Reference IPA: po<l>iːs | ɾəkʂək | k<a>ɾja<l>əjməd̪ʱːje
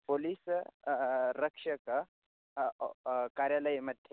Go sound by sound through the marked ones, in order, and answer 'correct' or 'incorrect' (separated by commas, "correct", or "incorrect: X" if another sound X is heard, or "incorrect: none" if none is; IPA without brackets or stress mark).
correct, correct, correct